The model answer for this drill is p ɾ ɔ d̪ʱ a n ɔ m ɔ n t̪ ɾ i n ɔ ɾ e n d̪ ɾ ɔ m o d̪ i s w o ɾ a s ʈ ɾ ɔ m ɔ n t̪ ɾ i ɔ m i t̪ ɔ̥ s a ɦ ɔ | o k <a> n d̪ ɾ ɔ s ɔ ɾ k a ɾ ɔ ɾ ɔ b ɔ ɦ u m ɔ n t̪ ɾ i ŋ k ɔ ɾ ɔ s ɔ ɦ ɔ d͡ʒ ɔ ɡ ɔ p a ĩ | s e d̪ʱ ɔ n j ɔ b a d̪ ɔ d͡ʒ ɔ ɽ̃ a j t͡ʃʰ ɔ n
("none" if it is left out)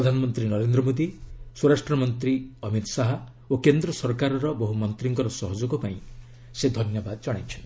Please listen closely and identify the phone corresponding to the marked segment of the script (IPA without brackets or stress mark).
e